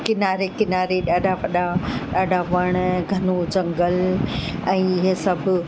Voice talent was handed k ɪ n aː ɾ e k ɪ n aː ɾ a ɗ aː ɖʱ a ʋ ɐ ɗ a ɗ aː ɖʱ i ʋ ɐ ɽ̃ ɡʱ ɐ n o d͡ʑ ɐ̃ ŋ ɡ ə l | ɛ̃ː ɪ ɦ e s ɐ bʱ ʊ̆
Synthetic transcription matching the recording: k ɪ n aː ɾ e k ɪ n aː ɾ e ɗ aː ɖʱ a ʋ ɐ ɗ a ɗ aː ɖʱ a ʋ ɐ ɽ̃ ɡʱ ɐ n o d͡ʑ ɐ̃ ŋ ɡ ə l | ɛ̃ː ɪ ɦ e s ɐ bʱ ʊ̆